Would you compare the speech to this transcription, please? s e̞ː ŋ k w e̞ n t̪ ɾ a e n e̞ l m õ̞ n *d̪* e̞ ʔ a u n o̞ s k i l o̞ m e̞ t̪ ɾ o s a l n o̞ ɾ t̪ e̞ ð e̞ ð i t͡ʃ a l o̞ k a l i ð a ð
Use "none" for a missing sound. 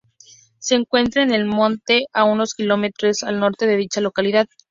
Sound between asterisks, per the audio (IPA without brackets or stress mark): t̪